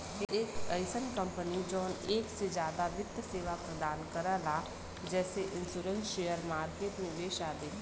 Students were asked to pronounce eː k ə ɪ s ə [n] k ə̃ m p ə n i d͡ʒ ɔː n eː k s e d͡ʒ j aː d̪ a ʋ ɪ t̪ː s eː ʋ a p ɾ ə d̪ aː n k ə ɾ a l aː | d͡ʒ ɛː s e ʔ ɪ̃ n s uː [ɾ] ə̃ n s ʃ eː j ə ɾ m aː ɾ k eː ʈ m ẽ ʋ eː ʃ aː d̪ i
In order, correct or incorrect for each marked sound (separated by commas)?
correct, correct